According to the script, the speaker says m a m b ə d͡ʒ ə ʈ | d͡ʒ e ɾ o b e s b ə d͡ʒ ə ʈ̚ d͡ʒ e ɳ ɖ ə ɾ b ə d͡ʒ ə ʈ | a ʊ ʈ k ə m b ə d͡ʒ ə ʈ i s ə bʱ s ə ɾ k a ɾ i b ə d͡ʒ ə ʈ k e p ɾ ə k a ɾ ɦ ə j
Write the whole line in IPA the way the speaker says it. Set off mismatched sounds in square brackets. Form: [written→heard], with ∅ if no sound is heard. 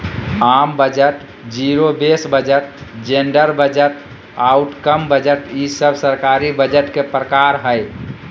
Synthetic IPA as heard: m a m b ə d͡ʒ ə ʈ | d͡ʒ [e→i] ɾ o b e s b ə d͡ʒ ə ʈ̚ d͡ʒ e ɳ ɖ ə ɾ b ə d͡ʒ ə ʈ | a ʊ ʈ k ə m b ə d͡ʒ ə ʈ i s ə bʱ s ə ɾ k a ɾ i b ə d͡ʒ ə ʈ k e p ɾ ə k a ɾ ɦ ə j